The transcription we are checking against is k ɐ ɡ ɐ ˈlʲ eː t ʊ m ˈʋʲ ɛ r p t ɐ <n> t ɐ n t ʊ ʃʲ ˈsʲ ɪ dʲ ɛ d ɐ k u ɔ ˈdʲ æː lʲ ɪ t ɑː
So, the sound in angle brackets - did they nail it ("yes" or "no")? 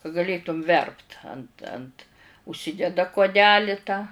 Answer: yes